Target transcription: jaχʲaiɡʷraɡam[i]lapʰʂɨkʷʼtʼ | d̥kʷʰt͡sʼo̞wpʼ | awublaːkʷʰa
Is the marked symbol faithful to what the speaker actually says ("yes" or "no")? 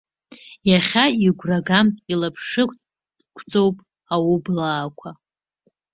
yes